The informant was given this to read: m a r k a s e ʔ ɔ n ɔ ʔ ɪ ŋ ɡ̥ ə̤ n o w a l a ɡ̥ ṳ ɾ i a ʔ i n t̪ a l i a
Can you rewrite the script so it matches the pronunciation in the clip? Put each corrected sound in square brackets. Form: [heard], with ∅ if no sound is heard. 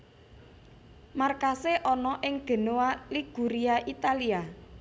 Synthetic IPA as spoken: m a r k a s e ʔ ɔ n ɔ ʔ ɪ ŋ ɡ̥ ə̤ n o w a l [i] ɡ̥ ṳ ɾ i a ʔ i [∅] t̪ a l i a